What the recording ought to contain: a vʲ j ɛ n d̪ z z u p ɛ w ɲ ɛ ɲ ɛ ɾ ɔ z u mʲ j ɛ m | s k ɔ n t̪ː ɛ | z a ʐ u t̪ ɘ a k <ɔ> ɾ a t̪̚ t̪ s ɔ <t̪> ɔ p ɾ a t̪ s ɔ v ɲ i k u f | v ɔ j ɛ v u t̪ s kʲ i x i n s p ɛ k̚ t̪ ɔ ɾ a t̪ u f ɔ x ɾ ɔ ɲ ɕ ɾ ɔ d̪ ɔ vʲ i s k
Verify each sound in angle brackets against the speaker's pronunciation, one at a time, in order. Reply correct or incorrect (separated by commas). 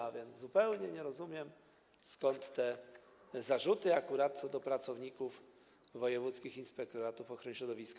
incorrect, incorrect